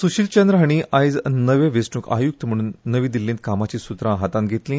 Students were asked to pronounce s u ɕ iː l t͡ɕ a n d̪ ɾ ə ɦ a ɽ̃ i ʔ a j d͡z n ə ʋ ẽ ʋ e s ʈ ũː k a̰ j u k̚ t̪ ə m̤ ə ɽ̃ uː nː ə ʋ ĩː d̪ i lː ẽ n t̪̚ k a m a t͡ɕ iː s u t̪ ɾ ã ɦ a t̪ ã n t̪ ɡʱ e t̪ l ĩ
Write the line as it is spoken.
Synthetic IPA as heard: s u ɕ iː l t͡ɕ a n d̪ ɾ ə ɦ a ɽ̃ i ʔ a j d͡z n ə ʋ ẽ ʋ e s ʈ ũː k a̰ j u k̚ t̪ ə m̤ ə ɽ̃ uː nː ə ʋ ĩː d̪ i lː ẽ n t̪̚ k a m a t͡ɕ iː s u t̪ ɾ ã ɦ a t̪ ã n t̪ ɡʱ e t̪ l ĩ